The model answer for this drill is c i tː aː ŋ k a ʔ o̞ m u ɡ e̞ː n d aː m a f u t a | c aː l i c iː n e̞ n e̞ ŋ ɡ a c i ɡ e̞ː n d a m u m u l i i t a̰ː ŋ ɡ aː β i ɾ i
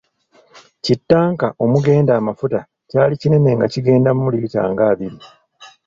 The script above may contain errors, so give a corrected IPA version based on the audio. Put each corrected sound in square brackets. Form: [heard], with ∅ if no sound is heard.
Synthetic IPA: c i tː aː ŋ k a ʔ o̞ m u ɡ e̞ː n d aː m a f u t a | c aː l i c [i] n e̞ n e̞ ŋ ɡ a c i ɡ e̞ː n d a m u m u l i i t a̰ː ŋ ɡ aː β i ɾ i

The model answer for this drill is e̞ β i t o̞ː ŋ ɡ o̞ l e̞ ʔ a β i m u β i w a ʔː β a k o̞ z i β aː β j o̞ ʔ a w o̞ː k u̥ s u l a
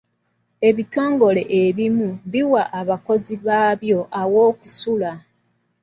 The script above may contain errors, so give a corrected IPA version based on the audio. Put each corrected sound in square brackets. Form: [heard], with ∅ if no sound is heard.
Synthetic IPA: e̞ β i t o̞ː ŋ ɡ o̞ l e̞ ʔ [e] β i m u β i w a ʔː β a k o̞ z i β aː β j o̞ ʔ a w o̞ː k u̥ s u l a

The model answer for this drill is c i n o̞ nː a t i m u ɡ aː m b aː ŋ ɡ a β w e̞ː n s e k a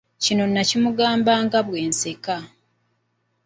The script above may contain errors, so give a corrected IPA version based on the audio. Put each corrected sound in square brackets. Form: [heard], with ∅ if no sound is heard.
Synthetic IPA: c i n o̞ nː a [c] i m u ɡ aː m b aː ŋ ɡ a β w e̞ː n s e k a

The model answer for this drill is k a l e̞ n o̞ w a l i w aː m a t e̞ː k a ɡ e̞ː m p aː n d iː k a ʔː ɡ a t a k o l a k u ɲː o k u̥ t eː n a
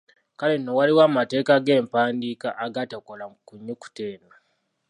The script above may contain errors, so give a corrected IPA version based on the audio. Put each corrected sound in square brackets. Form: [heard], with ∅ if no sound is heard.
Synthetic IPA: k a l e̞ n o̞ w a l i w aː m a t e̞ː k a ɡ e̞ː m p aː n d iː k a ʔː ɡ a t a k o l a k u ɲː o k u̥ t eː n a

